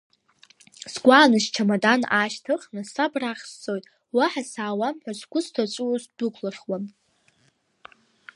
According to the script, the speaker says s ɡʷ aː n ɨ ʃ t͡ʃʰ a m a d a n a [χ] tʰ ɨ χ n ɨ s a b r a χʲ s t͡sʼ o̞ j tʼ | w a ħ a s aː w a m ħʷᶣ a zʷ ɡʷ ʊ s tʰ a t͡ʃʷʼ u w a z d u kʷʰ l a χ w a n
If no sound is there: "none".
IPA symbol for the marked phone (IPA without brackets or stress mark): ʃ